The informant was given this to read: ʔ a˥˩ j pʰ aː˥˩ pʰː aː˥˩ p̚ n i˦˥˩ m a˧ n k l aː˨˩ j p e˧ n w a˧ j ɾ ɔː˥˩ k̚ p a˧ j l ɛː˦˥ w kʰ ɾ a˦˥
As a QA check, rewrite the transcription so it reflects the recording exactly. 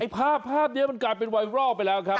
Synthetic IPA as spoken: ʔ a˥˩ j pʰ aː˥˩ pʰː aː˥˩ p̚ n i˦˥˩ m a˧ n k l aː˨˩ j p e˧ n w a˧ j ɾ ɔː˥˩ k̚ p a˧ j l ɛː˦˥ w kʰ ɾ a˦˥